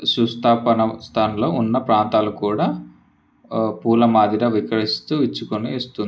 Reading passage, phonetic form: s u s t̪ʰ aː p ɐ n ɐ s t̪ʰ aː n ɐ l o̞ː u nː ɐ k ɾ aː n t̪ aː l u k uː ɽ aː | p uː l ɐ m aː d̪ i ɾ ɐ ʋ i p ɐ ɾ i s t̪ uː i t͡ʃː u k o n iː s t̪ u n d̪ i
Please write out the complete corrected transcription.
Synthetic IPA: s u s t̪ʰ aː p ɐ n ɐ s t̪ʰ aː n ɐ l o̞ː u nː ɐ p ɾ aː n t̪ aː l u k uː ɽ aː | p uː l ɐ m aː d̪ i ɾ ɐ ʋ i k ɐ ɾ i s t̪ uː i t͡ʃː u k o n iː s t̪ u n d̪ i